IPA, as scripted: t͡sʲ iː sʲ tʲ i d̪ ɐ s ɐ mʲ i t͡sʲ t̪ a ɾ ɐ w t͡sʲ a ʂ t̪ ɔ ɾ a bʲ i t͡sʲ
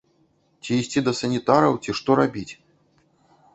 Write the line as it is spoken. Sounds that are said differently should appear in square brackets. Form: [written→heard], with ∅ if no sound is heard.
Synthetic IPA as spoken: t͡sʲ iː sʲ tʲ i d̪ ɐ s ɐ [mʲ→nʲ] i [t͡sʲ→∅] t̪ a ɾ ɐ w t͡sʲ [a→i] ʂ t̪ ɔ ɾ a bʲ i t͡sʲ